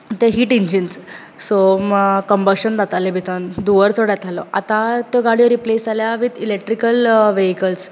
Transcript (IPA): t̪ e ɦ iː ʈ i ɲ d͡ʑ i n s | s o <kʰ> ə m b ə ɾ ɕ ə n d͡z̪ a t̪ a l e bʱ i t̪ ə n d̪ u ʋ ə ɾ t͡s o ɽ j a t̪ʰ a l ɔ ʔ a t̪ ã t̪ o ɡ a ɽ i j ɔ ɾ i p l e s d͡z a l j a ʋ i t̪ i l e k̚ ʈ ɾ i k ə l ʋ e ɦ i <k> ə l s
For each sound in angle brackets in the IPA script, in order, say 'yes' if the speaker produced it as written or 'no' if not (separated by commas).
no, yes